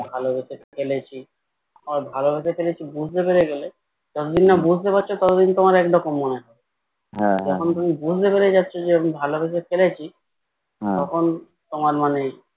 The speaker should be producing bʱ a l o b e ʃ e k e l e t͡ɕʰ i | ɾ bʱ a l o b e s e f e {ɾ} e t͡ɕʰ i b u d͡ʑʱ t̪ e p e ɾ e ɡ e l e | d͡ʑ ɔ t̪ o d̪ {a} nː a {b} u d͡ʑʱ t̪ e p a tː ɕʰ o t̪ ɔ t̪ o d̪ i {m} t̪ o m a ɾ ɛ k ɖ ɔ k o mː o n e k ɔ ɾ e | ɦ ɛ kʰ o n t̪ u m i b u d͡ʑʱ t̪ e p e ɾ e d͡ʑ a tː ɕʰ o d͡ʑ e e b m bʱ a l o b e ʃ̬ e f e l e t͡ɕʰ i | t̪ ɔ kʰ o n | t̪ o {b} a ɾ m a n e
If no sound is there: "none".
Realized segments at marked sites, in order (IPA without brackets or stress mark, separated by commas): l, i, b, n, m